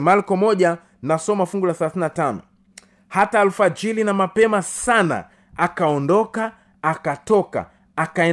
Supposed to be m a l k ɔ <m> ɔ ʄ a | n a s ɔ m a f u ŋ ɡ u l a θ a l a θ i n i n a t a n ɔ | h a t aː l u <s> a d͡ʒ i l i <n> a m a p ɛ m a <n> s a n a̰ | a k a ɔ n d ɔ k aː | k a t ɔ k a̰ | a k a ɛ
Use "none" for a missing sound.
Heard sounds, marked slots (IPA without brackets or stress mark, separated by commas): m, f, n, none